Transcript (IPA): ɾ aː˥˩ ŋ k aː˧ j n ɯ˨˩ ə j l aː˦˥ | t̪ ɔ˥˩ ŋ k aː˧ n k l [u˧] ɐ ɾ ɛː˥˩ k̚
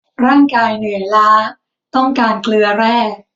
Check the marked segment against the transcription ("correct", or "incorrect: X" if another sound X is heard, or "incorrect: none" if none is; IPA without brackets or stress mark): incorrect: ɯ˧